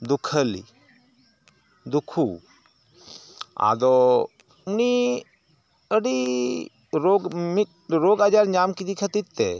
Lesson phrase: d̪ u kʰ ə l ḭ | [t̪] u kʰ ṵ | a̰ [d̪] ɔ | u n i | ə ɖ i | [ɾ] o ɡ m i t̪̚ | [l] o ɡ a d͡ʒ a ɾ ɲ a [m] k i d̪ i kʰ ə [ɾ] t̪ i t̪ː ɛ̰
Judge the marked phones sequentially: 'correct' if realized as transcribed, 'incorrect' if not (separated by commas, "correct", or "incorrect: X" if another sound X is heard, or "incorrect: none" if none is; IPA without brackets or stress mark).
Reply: incorrect: d̪, correct, correct, incorrect: ɾ, correct, incorrect: none